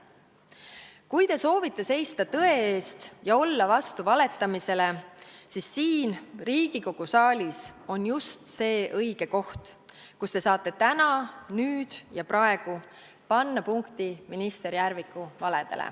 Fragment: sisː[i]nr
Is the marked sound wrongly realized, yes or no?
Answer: yes